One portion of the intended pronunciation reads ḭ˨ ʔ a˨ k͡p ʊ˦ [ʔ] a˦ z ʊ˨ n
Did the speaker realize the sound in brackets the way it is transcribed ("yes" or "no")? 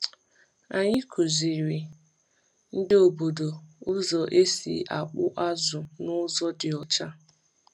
yes